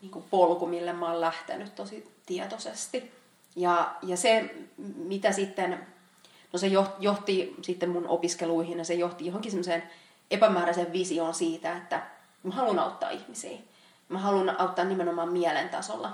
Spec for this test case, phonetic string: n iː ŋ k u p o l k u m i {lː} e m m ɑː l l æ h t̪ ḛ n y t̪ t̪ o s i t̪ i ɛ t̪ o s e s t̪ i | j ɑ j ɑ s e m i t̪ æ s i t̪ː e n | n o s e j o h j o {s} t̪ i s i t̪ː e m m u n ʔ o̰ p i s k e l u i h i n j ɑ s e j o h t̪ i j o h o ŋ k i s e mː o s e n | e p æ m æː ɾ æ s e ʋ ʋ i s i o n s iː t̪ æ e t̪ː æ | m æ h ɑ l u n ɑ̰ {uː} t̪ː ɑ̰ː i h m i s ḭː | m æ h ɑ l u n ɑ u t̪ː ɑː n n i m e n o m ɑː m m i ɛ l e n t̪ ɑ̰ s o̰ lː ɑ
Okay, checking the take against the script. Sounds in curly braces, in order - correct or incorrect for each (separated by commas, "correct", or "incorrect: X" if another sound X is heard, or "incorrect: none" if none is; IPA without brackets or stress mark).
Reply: correct, incorrect: h, incorrect: u